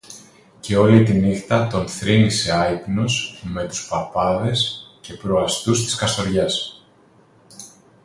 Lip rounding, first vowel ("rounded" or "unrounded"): unrounded